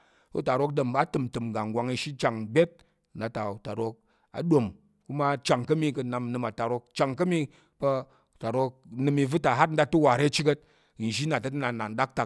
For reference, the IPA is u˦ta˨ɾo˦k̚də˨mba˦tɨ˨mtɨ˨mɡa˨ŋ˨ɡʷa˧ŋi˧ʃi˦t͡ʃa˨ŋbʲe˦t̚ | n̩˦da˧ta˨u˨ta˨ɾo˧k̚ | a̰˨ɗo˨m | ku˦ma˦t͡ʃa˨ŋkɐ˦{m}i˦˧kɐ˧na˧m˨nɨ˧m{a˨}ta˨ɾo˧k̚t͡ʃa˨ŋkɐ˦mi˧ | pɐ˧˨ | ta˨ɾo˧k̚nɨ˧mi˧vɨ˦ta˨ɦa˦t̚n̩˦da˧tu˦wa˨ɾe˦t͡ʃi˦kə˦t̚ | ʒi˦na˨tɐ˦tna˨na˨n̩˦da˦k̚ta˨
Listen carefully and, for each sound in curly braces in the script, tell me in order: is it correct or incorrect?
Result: correct, correct

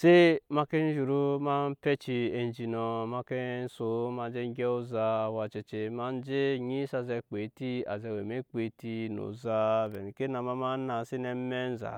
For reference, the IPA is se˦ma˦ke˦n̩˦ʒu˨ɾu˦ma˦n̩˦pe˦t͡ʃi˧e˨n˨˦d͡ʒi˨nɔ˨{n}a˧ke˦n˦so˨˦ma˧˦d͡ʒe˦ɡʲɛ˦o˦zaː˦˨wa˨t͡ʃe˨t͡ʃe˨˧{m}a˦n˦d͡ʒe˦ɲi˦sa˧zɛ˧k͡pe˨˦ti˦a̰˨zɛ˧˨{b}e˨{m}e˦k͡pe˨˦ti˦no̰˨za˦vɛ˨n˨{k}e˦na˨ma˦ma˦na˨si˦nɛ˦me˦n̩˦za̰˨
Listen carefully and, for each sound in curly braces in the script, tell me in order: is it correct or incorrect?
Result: incorrect: m, correct, incorrect: w, correct, correct

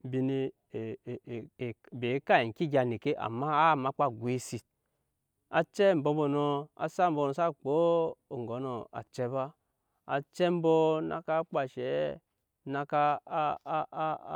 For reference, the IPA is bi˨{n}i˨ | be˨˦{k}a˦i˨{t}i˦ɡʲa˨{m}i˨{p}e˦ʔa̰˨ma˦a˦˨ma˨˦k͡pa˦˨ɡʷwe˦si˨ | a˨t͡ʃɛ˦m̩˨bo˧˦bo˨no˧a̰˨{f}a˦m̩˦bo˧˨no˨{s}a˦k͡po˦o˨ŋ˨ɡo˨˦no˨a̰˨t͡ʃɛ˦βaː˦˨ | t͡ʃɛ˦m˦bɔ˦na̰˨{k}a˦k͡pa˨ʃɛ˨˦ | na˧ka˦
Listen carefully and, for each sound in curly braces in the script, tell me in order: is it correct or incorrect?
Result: correct, correct, incorrect: k, incorrect: n, incorrect: k, incorrect: s, correct, correct

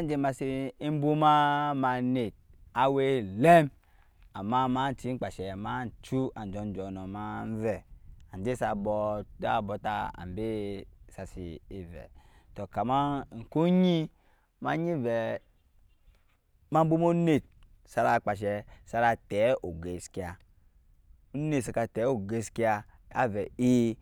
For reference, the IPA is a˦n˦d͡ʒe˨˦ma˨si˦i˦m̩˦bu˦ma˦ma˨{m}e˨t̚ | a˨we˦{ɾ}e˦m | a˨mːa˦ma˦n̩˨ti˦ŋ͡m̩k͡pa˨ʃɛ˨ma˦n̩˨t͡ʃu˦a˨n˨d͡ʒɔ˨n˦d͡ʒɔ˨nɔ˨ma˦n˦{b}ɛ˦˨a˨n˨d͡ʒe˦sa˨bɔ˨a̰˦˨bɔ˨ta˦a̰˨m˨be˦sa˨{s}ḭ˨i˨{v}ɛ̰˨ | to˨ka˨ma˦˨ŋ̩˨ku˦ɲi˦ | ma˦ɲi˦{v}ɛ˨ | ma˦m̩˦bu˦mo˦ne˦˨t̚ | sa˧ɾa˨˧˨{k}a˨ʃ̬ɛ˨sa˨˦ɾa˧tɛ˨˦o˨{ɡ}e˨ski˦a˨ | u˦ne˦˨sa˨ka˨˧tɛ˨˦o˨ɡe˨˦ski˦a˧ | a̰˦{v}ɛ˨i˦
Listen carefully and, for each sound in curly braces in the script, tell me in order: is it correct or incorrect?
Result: incorrect: n, incorrect: l, incorrect: v, correct, correct, correct, incorrect: k͡p, correct, correct

